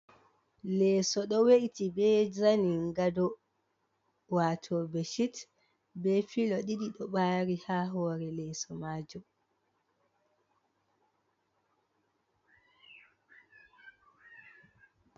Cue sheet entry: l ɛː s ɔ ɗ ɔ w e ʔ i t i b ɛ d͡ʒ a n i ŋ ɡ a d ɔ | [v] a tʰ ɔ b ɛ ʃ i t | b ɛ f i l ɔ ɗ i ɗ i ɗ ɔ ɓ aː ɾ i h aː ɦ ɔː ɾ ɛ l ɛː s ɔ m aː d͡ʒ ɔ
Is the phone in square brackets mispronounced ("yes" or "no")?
yes